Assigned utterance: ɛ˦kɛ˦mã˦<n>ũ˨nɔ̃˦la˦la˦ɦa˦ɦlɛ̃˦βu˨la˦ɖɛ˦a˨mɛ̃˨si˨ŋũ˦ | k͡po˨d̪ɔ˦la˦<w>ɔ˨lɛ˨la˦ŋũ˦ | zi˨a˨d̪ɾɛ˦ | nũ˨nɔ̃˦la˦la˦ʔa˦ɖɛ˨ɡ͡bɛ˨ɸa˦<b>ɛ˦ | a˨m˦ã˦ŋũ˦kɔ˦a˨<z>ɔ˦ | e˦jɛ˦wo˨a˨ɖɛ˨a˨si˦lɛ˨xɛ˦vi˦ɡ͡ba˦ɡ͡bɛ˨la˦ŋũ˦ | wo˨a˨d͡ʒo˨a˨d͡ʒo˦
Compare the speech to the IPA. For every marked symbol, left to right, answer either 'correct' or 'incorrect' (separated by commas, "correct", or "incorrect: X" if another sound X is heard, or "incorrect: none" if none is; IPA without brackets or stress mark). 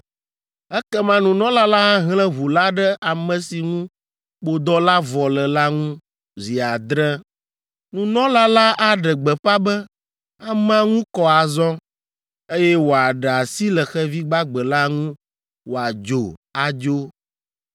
correct, incorrect: v, correct, correct